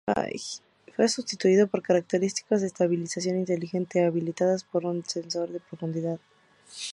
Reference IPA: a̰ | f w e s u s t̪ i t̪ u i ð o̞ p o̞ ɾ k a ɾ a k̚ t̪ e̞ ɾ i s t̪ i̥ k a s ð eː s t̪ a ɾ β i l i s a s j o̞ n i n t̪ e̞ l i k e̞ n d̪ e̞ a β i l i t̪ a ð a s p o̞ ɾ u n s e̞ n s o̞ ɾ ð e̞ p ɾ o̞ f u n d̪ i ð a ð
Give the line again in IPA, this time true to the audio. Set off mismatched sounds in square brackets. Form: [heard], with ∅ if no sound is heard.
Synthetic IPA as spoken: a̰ | f w e s u s t̪ i t̪ u i ð o̞ p o̞ ɾ k a ɾ a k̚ t̪ e̞ ɾ i s t̪ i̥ k a [z] ð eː s t̪ a [∅] β i l i s a s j o̞ n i n t̪ e̞ l i [x] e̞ n [t̪] e̞ a β i l i t̪ a ð a s p o̞ ɾ u n s e̞ n s o̞ ɾ ð e̞ p ɾ o̞ f u n d̪ i ð a ð